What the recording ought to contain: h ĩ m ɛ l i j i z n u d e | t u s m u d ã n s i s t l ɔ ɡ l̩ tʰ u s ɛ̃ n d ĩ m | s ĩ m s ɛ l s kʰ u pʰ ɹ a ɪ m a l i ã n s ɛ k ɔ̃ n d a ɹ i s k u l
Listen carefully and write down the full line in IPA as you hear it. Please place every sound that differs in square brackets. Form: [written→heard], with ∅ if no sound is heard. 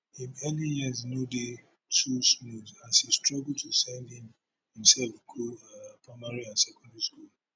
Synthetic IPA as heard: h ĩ m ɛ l i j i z n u d e | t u s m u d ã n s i s t [l→ɹ] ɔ ɡ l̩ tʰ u s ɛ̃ n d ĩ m | [s→h] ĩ m s ɛ l [s→f] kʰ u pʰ ɹ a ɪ m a [l→ɹ] i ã n s ɛ k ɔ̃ n d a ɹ i s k u l